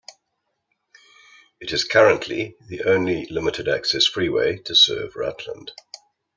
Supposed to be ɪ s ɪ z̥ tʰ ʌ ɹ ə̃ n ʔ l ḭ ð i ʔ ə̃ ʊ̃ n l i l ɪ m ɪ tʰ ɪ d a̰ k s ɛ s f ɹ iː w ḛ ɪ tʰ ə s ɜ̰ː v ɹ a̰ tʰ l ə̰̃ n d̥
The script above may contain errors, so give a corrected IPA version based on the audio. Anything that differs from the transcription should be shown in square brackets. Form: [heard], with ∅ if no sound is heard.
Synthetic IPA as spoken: ɪ [t] ɪ z̥ [kʰ] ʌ ɹ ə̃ n ʔ l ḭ ð i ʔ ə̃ ʊ̃ n l i l ɪ m ɪ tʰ ɪ d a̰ k s ɛ s f ɹ iː w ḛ ɪ tʰ ə s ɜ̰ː v ɹ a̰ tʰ l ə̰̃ n d̥